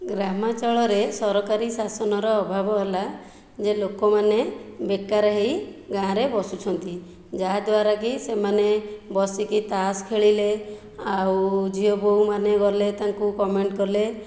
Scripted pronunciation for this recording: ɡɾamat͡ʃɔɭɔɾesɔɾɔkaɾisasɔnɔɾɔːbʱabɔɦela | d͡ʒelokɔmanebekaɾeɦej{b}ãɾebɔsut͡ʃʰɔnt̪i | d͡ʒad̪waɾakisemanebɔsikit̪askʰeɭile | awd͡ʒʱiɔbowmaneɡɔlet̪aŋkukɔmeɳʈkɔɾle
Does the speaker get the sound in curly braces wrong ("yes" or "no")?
yes